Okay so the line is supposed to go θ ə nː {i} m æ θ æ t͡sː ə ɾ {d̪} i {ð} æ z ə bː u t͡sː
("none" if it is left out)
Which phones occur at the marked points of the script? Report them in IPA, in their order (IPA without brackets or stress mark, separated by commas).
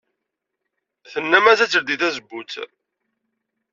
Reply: æ, d̪, θ